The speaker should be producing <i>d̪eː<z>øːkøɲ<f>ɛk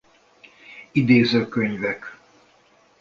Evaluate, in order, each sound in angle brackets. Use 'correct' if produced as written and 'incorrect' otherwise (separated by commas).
correct, correct, incorrect